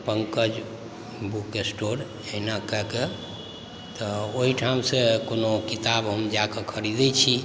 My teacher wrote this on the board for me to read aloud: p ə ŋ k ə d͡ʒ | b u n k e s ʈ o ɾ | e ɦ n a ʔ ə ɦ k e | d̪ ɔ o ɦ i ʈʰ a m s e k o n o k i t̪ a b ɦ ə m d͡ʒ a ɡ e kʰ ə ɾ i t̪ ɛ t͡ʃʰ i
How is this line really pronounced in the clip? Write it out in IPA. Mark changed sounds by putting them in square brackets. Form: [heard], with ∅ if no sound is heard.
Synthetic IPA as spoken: p ə ŋ k ə d͡ʒ | b u [∅] k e s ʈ o ɾ | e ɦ n a [k] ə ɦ k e | [t̪] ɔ o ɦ i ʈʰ a m s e k o n o k i t̪ a b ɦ ə m d͡ʒ a [k] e kʰ ə ɾ i [d̪] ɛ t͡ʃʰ i